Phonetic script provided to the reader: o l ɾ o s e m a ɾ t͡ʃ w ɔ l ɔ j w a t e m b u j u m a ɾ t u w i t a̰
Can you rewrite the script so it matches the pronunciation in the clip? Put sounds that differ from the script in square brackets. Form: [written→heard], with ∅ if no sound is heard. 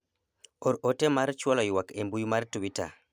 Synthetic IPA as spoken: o [l→∅] ɾ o [s→t] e m a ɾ t͡ʃ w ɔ l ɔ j w a [t→k] e m b u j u m a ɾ t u w i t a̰